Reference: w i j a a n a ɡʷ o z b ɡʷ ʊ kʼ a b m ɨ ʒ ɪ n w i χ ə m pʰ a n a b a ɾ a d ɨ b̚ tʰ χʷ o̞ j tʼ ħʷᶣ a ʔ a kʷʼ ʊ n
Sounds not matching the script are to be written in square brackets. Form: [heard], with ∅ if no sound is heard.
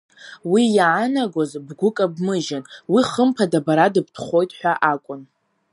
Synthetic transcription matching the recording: w i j a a n a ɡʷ o z b ɡʷ ʊ kʼ a b m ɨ ʒ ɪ n w i χ ə m pʰ a [d] a b a ɾ a d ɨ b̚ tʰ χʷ o̞ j tʼ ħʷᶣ a ʔ a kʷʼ ʊ n